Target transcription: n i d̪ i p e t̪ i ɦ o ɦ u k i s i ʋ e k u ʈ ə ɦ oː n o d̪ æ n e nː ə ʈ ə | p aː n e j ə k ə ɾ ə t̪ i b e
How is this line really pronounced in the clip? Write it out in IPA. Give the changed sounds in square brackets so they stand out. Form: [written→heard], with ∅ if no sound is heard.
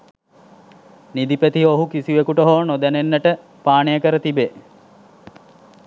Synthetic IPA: n i d̪ i p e t̪ i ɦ o ɦ u k i s i ʋ e k u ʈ ə ɦ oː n o d̪ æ n e nː ə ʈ ə | p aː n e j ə k ə ɾ ə t̪ i b e